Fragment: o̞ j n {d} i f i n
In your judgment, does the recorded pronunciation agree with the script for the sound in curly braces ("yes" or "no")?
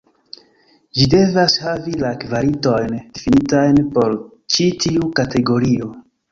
yes